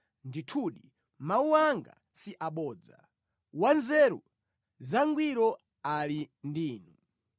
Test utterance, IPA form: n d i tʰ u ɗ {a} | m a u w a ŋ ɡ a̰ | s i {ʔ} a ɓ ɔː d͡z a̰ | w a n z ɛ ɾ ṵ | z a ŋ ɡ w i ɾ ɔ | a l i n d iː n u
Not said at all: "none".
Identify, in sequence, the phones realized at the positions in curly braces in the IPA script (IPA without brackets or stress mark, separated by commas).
i, ʔ